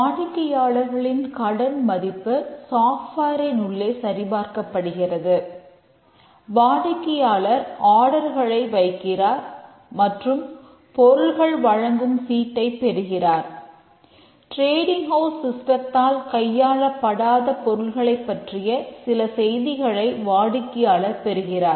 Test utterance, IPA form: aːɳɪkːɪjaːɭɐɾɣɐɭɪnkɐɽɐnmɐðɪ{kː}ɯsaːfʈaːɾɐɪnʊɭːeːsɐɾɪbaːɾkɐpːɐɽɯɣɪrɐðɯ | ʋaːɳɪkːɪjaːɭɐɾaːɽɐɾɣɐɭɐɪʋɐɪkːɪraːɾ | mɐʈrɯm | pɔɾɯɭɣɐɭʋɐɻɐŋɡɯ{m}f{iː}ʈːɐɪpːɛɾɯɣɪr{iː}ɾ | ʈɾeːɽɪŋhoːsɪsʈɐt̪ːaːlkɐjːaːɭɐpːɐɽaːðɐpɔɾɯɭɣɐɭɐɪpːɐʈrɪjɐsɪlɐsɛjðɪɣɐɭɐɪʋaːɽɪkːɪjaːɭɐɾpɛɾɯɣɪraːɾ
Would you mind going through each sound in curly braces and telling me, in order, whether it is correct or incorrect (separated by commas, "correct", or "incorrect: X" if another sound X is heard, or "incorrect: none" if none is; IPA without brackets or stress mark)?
incorrect: pː, correct, correct, incorrect: aː